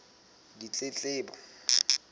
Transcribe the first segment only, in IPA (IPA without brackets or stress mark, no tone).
d